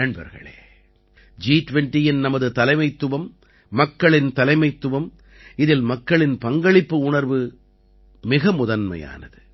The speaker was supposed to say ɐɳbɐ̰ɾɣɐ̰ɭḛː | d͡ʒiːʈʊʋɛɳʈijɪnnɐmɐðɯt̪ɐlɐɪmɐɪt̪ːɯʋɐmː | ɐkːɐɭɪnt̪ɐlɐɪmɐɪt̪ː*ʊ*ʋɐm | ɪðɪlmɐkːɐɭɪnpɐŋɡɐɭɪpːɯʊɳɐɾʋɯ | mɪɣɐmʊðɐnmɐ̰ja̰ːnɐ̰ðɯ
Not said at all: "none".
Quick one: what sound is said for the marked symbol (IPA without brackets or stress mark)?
ɯ